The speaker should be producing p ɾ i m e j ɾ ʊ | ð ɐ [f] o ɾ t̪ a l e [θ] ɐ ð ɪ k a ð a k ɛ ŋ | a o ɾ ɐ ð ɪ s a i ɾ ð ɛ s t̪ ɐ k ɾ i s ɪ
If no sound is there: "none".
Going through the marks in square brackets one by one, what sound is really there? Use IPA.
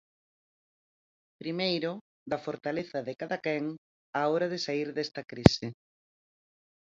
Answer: f, θ

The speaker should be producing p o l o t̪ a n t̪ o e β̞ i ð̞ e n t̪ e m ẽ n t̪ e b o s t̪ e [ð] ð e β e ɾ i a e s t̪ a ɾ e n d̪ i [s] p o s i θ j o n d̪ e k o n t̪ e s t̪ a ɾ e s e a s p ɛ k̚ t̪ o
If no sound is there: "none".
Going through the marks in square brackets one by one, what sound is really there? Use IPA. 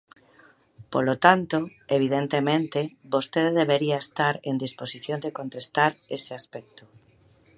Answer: ð, s

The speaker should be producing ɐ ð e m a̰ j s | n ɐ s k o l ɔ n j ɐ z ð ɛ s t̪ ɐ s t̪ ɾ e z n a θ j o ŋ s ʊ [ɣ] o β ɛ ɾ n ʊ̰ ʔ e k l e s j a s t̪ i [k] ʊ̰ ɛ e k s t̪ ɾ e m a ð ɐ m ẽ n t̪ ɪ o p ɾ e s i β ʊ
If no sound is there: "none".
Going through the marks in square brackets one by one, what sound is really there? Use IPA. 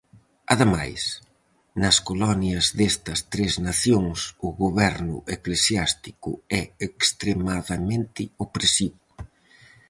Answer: ɣ, k

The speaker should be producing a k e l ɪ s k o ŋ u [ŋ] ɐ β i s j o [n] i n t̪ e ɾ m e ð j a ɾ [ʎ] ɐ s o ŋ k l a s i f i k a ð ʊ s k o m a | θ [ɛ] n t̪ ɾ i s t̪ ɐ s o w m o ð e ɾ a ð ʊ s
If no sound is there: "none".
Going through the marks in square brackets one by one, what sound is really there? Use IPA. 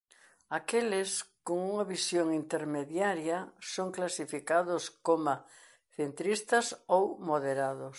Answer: ŋ, ŋ, j, e

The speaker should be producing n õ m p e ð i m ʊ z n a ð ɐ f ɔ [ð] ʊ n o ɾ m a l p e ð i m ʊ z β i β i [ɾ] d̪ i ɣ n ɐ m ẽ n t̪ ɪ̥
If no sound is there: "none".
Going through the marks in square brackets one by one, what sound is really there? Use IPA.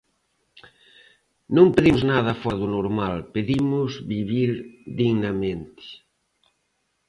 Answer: ð, ɾ

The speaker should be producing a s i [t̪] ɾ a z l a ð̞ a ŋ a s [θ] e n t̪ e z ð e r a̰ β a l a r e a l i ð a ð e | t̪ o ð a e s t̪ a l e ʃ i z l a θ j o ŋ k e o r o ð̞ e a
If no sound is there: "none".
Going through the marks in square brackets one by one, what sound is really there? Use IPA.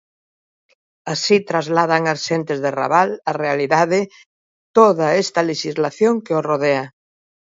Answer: t̪, ʃ

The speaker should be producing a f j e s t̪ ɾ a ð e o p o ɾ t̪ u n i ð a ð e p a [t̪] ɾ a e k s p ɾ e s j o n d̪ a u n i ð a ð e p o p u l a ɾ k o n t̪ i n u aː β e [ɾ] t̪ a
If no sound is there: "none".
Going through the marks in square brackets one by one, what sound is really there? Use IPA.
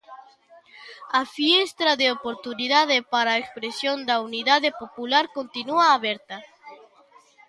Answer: none, ɾ

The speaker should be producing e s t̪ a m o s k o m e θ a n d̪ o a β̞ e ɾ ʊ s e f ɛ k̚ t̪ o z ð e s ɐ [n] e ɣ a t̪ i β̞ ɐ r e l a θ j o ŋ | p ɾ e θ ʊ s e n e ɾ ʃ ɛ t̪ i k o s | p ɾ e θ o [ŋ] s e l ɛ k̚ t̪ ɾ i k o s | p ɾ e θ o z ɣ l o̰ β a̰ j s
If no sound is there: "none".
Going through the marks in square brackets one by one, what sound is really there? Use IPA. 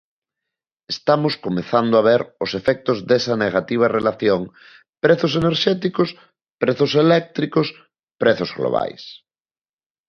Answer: n, none

